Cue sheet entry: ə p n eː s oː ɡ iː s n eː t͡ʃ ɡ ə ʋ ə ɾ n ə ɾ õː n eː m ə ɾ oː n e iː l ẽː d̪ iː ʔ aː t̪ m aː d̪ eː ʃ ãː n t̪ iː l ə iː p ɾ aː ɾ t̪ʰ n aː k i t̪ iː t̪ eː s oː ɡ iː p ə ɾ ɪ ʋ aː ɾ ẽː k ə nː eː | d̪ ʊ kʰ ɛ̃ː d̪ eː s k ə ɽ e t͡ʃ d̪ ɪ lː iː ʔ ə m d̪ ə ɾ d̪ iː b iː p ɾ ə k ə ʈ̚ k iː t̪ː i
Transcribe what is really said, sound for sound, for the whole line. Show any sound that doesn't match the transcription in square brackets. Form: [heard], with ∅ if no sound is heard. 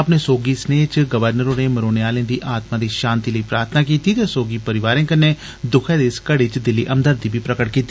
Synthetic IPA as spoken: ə p n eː s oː ɡ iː s n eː t͡ʃ ɡ ə ʋ ə ɾ n ə ɾ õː n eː m ə ɾ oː n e [aː] l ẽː d̪ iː ʔ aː t̪ m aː d̪ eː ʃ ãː n t̪ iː l ə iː p ɾ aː ɾ t̪ʰ n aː k [iː] t̪ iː t̪ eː s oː ɡ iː p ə ɾ ɪ ʋ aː ɾ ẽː k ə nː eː | d̪ ʊ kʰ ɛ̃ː d̪ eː s k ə ɽ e t͡ʃ d̪ ɪ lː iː ʔ ə m d̪ ə ɾ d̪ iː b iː p ɾ ə k ə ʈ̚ k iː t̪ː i